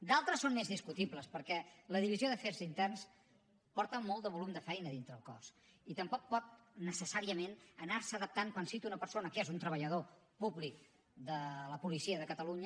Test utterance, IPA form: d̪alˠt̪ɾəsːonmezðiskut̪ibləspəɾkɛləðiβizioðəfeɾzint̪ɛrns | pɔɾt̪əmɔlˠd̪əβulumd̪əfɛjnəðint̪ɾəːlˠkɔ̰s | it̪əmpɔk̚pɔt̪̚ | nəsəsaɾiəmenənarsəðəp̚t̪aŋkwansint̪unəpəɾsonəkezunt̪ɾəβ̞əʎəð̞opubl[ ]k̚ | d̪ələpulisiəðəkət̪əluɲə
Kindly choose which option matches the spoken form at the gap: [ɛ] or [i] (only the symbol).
i